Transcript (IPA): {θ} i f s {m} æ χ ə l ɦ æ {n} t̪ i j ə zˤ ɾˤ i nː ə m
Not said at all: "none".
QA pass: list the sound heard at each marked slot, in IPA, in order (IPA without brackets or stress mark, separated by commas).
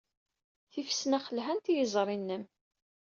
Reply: θ, n, n